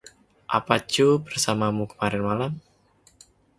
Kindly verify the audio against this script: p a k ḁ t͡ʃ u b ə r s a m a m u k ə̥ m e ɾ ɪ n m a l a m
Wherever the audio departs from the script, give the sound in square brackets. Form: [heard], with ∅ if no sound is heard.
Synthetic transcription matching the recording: [ʔ] a [p] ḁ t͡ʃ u b ə r s a m a m u k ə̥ m [a] ɾ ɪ n m a l a m